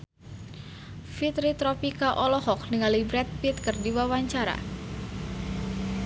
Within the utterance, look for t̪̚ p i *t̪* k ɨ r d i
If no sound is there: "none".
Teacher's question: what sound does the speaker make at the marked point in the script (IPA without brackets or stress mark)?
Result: t̪